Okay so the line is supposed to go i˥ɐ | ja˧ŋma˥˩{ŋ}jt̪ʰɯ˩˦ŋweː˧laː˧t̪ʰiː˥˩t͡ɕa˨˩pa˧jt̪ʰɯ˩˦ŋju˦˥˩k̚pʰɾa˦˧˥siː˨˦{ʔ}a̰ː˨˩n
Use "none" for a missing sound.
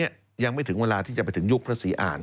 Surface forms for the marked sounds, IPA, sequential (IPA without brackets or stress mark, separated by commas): none, ʔ